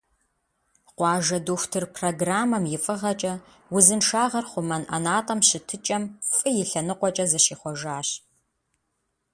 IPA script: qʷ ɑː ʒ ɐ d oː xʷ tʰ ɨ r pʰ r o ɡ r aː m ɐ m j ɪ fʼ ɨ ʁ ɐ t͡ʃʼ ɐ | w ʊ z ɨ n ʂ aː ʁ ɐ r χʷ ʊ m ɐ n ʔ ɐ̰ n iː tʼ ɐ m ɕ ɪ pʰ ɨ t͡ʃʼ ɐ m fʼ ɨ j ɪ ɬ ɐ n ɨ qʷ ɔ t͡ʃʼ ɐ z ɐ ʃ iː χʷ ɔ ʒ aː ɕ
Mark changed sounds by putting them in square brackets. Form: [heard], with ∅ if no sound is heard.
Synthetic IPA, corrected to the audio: qʷ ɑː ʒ ɐ d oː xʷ tʰ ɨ r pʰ r o ɡ r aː m ɐ m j ɪ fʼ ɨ ʁ ɐ t͡ʃʼ ɐ | w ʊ z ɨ n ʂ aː ʁ ɐ r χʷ ʊ m ɐ n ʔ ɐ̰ n [aː] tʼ ɐ m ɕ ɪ [tʰ] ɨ t͡ʃʼ ɐ m fʼ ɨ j ɪ ɬ ɐ n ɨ qʷ ɔ t͡ʃʼ ɐ z ɐ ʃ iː χʷ ɔ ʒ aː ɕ